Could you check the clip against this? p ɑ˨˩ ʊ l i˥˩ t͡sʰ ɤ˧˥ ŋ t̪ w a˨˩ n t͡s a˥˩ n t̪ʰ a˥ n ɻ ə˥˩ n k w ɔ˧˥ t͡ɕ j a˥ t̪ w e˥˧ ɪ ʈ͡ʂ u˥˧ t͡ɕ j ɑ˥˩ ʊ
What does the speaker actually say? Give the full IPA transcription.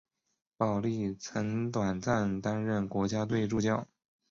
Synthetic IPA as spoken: p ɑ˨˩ ʊ l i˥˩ t͡sʰ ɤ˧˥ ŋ t̪ w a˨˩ n t͡s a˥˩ n t̪ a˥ n ɻ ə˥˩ n k w ɔ˧˥ t͡ɕ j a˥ t̪ w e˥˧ ɪ ʈ͡ʂ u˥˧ t͡ɕ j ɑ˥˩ ʊ